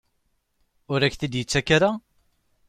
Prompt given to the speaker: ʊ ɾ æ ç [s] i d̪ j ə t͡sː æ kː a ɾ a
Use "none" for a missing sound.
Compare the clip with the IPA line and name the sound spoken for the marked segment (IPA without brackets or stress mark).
θ